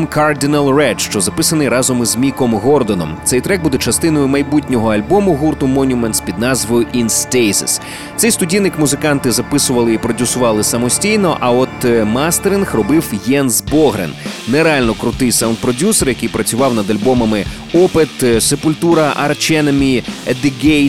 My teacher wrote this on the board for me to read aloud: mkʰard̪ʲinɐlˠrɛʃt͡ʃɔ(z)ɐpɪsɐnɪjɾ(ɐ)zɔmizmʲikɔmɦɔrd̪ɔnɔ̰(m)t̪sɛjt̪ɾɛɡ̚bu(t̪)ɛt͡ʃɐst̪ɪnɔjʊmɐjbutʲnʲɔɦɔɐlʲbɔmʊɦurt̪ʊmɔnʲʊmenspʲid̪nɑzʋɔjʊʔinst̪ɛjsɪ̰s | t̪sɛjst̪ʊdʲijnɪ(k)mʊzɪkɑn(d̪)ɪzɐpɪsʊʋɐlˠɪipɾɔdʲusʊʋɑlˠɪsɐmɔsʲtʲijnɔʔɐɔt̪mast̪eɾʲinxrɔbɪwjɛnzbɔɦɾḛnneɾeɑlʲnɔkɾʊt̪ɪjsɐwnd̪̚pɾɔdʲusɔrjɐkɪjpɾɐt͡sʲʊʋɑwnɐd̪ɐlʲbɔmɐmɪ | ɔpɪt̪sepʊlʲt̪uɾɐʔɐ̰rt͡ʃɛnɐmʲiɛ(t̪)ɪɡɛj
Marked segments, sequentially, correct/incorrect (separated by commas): correct, incorrect, correct, incorrect, correct, incorrect, incorrect